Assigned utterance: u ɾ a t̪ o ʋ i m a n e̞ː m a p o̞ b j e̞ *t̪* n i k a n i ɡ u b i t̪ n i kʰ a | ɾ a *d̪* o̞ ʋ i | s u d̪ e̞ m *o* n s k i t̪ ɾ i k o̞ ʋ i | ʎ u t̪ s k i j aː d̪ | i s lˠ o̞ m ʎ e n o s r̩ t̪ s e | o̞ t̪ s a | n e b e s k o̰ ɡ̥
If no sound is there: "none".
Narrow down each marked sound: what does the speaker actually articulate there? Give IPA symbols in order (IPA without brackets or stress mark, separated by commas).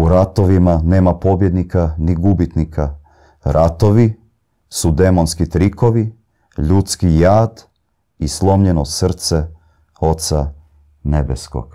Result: d̪, t̪, o